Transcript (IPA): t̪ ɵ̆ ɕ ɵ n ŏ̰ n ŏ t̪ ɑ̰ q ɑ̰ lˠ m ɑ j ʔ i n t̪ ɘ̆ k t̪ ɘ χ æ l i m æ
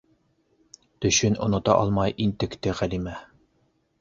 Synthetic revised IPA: t̪ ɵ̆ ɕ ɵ n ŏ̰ n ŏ t̪ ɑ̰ ʔ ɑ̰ lˠ m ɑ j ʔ i n t̪ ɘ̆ k t̪ ɘ ʁ æ l i m æ